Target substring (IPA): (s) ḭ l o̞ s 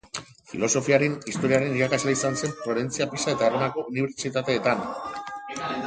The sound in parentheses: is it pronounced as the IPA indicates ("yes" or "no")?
no